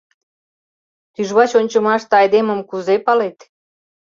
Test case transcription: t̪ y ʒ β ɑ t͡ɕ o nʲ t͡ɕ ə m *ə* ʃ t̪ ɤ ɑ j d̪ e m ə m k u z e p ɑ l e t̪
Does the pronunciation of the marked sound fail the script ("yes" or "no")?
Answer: yes